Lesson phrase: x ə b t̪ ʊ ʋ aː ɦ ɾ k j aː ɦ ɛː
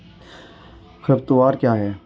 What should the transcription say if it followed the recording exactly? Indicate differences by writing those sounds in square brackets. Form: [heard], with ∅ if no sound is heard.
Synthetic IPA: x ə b t̪ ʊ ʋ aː [∅] ɾ k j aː ɦ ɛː